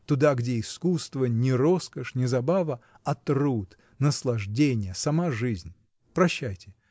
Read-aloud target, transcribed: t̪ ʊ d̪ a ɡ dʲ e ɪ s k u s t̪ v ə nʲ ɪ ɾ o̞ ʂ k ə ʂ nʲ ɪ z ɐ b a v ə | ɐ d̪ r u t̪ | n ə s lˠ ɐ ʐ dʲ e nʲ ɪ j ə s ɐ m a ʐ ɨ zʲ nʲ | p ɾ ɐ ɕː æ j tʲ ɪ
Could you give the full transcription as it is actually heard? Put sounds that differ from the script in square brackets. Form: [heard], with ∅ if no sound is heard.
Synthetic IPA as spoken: t̪ ʊ d̪ a ɡ dʲ e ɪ s k u s t̪ v ə nʲ ɪ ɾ o̞ [s] k ə ʂ nʲ ɪ z ɐ b a v ə | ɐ [t̪] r u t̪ | n ə s lˠ ɐ ʐ dʲ e nʲ ɪ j ə s ɐ m a ʐ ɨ zʲ nʲ | p ɾ ɐ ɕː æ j tʲ ɪ